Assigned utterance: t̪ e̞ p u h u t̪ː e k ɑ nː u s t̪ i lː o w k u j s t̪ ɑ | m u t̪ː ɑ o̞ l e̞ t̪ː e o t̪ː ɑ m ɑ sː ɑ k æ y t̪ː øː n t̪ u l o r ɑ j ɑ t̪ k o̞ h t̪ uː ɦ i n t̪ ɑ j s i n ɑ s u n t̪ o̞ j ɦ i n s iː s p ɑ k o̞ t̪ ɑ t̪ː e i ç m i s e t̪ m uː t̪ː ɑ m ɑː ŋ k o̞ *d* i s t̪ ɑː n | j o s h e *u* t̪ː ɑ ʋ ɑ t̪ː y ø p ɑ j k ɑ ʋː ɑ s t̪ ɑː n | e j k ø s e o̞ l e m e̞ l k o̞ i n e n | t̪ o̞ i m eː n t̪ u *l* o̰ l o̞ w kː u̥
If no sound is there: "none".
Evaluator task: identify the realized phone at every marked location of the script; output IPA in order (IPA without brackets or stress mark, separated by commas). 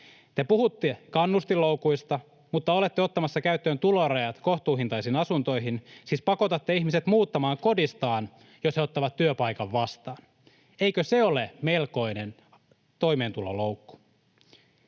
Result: d, o, l